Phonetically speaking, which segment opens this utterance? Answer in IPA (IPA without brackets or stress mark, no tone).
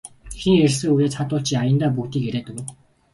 x